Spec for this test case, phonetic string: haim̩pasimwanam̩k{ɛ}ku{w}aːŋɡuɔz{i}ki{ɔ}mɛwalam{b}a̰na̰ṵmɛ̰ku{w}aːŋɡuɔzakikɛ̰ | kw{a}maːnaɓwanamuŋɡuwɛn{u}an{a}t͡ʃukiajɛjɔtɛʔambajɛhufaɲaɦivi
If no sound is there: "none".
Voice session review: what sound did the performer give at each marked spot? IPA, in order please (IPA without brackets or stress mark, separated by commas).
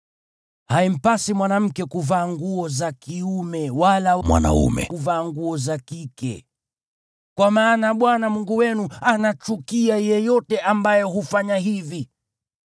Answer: ɛ, v, a, u, w, v, a, u, a